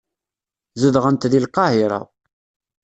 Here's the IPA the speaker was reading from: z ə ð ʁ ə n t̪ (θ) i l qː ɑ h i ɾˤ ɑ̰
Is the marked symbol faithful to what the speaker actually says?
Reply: no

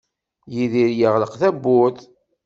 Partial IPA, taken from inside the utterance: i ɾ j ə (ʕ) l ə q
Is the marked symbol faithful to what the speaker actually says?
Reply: no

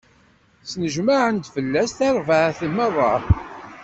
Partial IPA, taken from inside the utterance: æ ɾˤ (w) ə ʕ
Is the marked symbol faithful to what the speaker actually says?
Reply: no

